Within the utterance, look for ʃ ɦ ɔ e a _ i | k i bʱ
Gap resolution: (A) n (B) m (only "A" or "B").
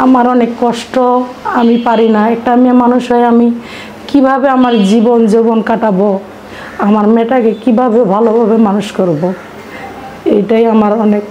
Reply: B